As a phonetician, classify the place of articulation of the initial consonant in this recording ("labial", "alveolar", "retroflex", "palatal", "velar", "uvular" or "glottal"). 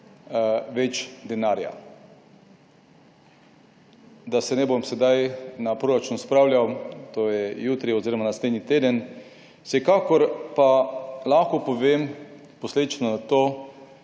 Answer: labial